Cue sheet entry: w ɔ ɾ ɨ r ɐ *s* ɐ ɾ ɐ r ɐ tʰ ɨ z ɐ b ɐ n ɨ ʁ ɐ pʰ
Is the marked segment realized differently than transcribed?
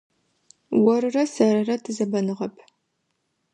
no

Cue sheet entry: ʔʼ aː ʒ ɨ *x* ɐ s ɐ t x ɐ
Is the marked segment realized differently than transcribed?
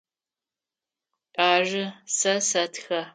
yes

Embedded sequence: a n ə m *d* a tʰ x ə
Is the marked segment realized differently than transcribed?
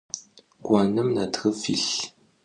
yes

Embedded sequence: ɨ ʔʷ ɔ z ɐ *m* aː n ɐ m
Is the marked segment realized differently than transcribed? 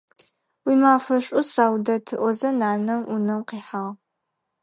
yes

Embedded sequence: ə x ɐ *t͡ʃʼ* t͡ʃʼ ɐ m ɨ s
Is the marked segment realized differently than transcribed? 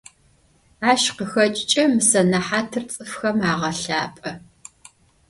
no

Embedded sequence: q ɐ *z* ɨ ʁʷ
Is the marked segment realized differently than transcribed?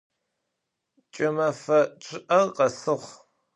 yes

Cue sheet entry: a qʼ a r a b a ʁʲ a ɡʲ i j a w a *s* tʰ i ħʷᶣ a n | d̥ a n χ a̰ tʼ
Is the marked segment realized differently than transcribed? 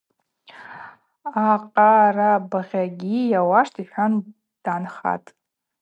yes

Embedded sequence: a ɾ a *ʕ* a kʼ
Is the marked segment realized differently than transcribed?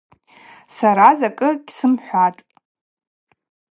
yes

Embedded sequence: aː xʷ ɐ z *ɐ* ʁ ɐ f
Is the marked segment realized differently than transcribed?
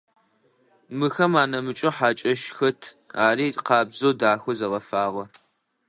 no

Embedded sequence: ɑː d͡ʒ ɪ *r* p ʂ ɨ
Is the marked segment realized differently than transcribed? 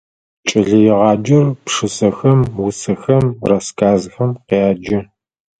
no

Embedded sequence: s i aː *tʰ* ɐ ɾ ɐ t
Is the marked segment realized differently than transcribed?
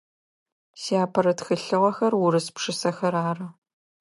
yes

